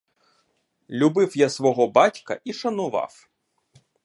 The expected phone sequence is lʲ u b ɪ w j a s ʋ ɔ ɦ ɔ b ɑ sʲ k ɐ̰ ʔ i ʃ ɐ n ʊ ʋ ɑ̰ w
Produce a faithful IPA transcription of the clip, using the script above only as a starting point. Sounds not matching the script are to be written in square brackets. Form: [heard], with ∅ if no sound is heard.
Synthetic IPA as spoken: lʲ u b ɪ w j a s ʋ ɔ ɦ ɔ b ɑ [tʲ] k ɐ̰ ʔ i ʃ ɐ n ʊ ʋ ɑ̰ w